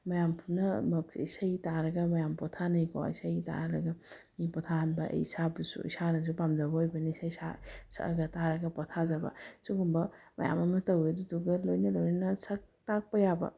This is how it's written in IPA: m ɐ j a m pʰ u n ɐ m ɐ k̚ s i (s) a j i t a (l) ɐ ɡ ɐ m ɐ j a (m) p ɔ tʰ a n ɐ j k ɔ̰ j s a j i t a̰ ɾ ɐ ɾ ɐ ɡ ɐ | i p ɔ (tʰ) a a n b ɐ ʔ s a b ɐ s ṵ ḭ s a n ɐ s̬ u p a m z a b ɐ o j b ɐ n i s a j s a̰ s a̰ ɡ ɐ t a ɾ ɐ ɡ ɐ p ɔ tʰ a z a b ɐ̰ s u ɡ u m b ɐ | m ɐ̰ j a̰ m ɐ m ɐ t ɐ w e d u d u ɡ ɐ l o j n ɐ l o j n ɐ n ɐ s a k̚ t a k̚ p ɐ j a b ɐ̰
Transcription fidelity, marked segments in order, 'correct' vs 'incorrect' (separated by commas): correct, incorrect, correct, correct